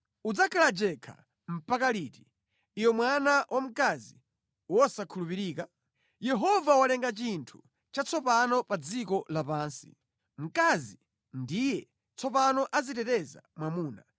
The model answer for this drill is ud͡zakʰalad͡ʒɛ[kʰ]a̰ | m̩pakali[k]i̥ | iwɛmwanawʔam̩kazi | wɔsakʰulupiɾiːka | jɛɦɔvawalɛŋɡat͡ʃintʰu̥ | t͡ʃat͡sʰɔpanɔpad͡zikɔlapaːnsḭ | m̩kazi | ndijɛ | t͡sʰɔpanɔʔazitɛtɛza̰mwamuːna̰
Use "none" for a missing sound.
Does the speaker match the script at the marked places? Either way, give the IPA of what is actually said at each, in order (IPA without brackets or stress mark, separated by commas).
kʰ, t